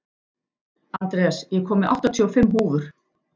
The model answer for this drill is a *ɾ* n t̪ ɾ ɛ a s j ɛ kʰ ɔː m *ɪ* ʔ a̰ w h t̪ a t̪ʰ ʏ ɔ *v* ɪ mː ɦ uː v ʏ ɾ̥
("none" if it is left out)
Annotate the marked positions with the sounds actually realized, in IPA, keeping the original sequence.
none, ɪ, f

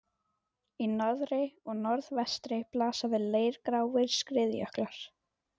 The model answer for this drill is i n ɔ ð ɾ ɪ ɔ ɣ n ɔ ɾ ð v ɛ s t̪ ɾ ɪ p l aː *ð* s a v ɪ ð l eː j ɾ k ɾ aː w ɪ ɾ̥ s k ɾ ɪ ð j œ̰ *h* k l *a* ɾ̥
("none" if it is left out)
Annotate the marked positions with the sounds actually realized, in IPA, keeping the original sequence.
none, h, a

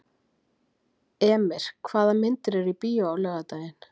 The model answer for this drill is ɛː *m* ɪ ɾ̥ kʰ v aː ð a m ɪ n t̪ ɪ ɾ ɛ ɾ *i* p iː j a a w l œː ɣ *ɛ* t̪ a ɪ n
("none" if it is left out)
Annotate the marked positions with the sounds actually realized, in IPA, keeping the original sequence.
m, i, a

